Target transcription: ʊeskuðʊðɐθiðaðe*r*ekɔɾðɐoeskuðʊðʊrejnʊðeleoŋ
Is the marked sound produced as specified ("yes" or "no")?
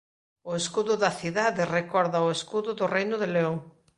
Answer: yes